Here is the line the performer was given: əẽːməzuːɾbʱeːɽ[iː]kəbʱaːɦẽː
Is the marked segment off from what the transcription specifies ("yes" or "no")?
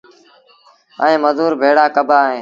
yes